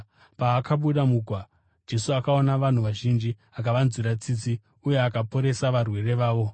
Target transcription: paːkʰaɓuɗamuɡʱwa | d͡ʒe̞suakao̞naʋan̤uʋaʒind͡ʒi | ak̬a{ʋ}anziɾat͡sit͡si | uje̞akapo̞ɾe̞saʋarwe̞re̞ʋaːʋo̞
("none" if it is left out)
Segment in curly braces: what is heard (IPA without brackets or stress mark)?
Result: ʋ